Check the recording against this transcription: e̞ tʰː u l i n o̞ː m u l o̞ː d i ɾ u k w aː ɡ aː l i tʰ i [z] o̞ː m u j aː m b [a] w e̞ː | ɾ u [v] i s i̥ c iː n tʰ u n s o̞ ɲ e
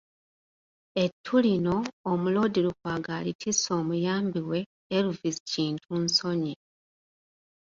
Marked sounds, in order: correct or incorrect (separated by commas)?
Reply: incorrect, incorrect, correct